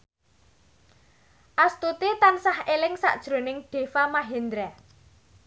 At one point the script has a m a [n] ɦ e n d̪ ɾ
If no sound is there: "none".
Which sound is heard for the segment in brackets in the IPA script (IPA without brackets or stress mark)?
none